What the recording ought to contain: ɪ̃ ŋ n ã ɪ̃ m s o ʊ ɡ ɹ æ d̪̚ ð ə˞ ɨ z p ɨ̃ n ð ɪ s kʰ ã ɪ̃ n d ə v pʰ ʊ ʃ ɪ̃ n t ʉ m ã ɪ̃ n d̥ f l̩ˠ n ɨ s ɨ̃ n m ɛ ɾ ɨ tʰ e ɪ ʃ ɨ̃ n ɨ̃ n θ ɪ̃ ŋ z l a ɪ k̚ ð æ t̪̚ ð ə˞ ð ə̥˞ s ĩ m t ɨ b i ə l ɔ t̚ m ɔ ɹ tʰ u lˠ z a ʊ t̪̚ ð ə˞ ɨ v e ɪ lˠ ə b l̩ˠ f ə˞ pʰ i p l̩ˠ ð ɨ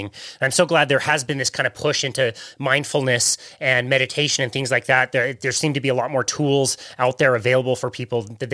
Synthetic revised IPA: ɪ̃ ŋ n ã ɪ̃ m s o ʊ ɡ l æ d̪̚ ð ə˞ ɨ z b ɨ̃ n ð ɪ s kʰ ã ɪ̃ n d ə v pʰ ʊ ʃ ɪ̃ n t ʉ m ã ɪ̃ n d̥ f l̩ˠ n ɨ s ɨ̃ n m ɛ ɾ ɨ tʰ e ɪ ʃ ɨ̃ n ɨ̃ n θ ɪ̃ ŋ z l a ɪ k̚ ð æ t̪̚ ð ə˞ ð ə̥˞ s ĩ m t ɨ b i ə l ɔ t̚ m ɔ ɹ tʰ u lˠ z a ʊ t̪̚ ð ə˞ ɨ v e ɪ lˠ ə b l̩ˠ f ə˞ pʰ i p l̩ˠ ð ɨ